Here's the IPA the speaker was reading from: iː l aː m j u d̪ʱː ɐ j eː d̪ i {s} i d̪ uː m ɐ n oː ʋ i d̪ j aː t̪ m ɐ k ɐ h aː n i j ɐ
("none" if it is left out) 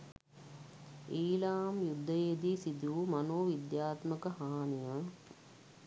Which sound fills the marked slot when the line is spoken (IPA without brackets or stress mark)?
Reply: s